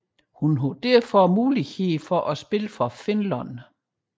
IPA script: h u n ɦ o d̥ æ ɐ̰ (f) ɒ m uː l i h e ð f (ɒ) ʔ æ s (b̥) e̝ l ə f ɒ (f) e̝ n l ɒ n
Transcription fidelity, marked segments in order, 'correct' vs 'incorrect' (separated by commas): correct, correct, correct, correct